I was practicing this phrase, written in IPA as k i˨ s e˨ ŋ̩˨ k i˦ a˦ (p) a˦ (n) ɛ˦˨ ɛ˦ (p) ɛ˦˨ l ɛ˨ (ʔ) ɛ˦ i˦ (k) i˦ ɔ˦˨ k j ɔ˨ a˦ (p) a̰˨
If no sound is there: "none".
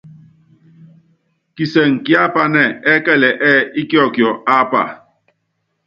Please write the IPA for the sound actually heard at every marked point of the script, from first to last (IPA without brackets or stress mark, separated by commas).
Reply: p, n, k, ʔ, k, p